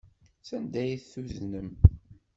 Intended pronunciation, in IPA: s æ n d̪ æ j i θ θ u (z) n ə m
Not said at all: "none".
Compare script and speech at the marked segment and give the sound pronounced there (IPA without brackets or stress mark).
z